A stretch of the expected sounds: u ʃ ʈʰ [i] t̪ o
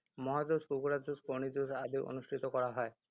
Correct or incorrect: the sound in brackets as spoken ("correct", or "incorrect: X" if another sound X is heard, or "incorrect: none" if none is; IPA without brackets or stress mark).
correct